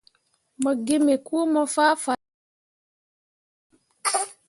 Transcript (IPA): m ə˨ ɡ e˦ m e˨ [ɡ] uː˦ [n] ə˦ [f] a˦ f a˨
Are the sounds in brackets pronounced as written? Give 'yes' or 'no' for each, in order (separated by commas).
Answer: no, no, yes